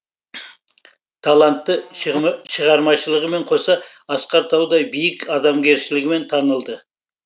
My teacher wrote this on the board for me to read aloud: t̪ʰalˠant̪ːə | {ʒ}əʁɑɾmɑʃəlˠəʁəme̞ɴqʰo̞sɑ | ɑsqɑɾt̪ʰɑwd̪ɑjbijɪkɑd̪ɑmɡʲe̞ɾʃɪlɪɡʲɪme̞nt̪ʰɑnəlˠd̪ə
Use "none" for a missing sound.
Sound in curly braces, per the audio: ʃ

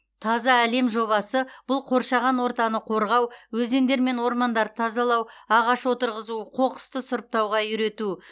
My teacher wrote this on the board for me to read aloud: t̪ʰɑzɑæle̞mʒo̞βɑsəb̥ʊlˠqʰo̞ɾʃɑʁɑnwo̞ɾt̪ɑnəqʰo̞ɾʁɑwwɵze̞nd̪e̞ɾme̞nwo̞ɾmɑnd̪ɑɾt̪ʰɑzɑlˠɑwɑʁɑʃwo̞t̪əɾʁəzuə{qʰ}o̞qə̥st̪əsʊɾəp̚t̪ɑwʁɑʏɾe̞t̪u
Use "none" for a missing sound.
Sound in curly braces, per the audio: qʰ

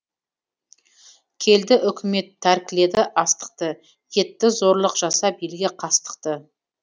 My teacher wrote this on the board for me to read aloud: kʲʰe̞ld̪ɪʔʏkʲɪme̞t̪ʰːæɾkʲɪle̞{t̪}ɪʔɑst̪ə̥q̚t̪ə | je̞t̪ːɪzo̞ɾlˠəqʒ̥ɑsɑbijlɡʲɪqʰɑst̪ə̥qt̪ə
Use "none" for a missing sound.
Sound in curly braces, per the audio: d̪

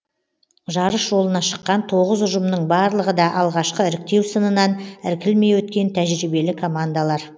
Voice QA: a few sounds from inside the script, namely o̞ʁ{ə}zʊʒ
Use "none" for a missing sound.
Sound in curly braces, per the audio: ə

